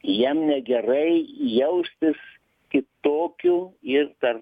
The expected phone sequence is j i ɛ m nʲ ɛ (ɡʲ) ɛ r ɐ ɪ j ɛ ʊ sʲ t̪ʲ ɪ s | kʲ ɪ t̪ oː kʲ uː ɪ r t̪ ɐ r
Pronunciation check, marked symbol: correct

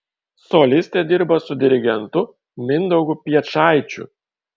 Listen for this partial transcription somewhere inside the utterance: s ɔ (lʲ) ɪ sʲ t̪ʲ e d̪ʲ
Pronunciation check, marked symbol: correct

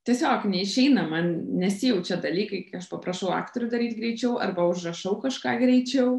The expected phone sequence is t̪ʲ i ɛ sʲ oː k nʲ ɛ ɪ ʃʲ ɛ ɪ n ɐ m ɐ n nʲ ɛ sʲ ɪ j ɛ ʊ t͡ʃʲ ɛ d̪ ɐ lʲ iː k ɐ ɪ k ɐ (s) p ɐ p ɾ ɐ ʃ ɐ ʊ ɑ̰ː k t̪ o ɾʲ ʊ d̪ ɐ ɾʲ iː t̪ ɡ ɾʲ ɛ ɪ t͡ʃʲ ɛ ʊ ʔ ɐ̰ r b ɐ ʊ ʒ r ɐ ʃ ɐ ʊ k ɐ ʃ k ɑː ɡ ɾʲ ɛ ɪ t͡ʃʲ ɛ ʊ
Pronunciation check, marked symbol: incorrect: ʃ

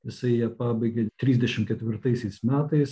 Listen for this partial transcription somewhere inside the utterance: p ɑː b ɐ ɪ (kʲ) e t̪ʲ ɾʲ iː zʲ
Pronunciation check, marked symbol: incorrect: ɡʲ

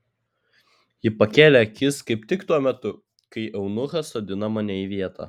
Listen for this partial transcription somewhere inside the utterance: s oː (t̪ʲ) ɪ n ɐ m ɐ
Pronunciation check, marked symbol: incorrect: d̪ʲ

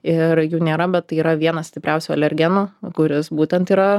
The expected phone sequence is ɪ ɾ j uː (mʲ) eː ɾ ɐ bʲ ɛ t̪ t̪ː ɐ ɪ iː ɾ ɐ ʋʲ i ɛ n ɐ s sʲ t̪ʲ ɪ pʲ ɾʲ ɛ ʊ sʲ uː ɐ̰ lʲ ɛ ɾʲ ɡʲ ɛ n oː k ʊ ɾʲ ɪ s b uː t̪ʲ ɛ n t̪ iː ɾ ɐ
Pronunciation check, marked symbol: incorrect: nʲ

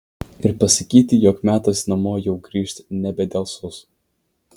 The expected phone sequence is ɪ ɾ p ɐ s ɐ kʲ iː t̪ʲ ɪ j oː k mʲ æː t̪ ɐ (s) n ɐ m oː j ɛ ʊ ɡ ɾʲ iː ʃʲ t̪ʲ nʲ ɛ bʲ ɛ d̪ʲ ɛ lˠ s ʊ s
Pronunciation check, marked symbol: correct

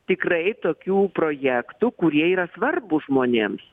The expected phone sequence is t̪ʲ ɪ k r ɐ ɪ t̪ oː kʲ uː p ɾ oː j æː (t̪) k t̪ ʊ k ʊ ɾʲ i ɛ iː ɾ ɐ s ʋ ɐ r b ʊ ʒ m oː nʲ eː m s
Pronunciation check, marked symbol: incorrect: none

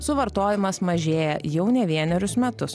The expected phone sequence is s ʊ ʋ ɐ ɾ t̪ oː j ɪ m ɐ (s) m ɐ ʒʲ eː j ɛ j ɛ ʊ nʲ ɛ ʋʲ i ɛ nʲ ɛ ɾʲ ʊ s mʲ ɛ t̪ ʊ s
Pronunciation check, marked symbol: correct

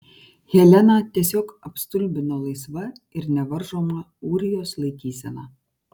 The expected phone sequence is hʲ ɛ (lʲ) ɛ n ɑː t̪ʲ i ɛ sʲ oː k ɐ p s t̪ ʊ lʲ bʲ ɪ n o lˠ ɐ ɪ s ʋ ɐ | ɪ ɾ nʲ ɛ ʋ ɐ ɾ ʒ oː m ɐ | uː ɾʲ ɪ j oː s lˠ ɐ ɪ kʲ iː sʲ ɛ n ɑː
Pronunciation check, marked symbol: correct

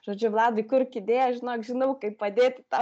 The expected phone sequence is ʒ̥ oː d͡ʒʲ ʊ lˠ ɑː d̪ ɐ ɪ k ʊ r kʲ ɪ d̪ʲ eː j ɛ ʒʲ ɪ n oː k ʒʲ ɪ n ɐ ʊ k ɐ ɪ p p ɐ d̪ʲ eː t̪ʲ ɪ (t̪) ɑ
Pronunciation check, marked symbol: correct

